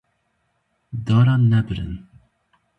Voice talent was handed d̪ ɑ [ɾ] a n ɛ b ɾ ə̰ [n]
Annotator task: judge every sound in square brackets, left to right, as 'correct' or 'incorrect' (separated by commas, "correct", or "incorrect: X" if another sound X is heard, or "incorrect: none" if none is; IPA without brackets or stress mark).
correct, correct